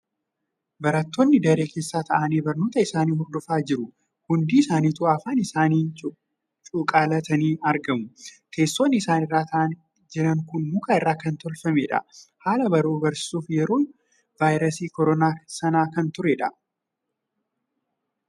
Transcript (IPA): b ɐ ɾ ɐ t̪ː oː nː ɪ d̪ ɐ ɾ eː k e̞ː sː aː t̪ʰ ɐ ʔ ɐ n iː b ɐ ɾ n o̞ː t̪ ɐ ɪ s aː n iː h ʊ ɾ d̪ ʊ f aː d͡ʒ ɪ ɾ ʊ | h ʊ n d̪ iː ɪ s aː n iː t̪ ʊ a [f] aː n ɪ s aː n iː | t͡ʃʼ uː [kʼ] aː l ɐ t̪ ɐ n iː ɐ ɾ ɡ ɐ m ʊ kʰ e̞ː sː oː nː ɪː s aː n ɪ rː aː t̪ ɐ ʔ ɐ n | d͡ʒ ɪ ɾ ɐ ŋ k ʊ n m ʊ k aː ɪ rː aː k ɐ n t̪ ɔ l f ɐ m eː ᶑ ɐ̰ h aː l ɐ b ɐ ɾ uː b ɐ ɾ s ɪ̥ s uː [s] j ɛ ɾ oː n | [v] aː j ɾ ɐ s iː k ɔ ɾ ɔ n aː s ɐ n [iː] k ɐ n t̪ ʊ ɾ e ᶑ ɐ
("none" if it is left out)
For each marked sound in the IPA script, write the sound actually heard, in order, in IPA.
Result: f, kʼ, f, v, aː

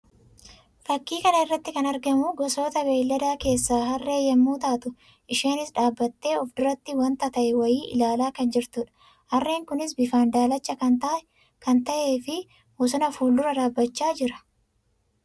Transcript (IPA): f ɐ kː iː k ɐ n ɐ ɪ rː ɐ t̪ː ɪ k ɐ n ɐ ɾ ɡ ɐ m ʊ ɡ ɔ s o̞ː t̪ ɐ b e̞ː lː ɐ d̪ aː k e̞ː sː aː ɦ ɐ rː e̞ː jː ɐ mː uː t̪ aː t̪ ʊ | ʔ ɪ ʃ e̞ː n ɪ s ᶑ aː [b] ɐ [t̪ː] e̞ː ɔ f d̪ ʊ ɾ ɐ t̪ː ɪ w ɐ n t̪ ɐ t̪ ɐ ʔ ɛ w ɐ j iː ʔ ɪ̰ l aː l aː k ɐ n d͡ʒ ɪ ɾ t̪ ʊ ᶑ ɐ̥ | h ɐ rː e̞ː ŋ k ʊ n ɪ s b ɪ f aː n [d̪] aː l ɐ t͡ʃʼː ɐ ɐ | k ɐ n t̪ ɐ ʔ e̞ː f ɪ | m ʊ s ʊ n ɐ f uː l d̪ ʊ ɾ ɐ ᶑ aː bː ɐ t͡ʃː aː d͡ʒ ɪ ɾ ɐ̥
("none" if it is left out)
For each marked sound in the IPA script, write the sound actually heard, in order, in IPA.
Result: bː, t̪ː, d̪

